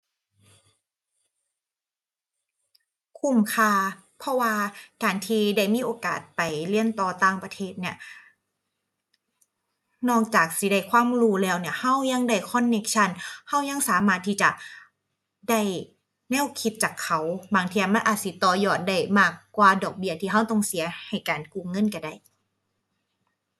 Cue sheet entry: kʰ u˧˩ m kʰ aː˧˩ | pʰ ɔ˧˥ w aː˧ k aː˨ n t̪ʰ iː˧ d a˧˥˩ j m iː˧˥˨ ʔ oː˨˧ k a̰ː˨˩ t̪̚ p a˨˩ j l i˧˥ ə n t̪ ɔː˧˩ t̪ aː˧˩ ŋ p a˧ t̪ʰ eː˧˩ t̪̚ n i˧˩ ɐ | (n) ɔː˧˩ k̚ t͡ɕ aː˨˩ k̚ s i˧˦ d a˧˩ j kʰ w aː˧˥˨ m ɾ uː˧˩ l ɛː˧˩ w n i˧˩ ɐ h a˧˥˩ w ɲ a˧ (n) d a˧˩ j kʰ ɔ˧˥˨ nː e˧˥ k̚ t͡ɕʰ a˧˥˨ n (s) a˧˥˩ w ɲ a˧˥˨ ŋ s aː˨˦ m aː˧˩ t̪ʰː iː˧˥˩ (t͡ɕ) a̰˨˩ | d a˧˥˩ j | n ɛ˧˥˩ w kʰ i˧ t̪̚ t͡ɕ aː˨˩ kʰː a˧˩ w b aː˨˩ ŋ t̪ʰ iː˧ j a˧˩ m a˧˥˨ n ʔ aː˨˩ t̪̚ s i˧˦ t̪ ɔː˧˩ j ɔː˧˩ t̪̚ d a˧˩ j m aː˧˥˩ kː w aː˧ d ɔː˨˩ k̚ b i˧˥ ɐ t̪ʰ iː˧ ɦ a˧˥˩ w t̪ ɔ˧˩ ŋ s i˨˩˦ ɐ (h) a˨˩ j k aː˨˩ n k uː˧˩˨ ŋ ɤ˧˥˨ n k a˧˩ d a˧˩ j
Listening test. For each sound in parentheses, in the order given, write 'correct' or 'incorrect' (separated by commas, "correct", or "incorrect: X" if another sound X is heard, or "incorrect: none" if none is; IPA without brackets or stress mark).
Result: correct, incorrect: ŋ, incorrect: h, correct, correct